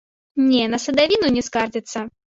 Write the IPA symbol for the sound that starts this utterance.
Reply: nʲ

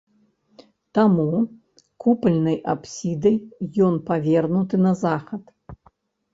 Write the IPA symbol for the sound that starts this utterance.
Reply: t̪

